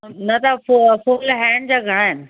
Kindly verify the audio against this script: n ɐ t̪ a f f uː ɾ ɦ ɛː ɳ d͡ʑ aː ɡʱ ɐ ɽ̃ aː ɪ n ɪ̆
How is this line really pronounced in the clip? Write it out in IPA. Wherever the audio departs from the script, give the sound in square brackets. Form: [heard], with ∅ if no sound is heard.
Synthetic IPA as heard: n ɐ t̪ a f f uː [l] ɦ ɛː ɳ d͡ʑ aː ɡʱ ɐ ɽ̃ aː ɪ n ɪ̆